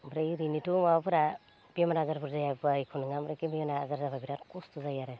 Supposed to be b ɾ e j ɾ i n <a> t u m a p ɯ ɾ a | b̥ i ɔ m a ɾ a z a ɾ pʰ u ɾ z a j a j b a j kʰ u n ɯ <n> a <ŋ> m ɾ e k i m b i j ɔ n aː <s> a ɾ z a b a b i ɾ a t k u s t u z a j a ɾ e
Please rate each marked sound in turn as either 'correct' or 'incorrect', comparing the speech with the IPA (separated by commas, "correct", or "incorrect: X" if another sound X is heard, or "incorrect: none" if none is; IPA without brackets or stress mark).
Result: incorrect: i, incorrect: ŋ, incorrect: none, incorrect: z